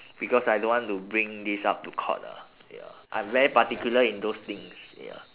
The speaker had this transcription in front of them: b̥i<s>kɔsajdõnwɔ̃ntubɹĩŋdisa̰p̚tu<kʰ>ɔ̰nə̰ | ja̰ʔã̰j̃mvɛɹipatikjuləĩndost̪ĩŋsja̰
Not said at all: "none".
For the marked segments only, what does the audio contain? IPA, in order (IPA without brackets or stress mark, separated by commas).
none, kʰ